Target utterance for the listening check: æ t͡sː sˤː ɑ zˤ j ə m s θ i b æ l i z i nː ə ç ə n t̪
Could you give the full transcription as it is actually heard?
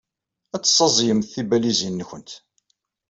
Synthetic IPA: æ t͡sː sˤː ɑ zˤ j ə m θ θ i b æ l i z i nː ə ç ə n t̪